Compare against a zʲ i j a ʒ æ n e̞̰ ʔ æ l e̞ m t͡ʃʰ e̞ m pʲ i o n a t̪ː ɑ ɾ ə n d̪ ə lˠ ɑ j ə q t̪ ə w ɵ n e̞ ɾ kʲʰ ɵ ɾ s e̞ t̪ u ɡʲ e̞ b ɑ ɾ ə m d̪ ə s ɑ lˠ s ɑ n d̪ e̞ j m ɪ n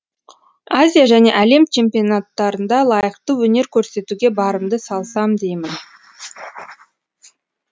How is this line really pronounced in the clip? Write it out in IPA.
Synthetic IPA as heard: a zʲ i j a ʒ æ n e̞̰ ʔ æ l e̞ m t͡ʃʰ e̞ m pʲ i o n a t̪ː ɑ ɾ ə n d̪ ɑ lˠ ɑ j ə q t̪ ə w ɵ n e̞ ɾ kʲʰ ɵ ɾ s e̞ t̪ u ɡʲ e̞ b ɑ ɾ ə m d̪ ə s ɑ lˠ s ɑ m d̪ e̞ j m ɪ n